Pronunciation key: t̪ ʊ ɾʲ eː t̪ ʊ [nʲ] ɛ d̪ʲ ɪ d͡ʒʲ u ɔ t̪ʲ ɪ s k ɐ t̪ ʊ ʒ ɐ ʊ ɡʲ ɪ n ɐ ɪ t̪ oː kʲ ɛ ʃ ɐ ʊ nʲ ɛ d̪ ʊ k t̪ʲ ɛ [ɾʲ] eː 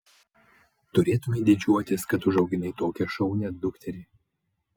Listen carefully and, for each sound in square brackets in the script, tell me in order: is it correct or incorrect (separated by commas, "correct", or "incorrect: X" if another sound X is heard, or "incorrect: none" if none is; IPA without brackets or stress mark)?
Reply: incorrect: mʲ, correct